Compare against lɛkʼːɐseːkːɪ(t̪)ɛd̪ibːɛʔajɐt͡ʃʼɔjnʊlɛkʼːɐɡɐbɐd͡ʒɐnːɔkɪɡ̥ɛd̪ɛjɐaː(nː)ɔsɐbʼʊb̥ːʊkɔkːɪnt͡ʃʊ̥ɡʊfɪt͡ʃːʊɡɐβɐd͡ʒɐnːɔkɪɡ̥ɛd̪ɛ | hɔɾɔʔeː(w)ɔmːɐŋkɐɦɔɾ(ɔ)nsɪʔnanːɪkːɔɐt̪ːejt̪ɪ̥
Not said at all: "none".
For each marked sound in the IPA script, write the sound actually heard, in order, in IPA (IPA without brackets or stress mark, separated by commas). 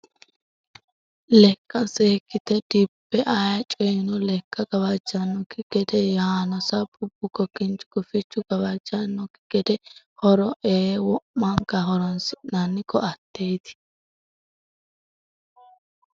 t̪, n, w, ɔ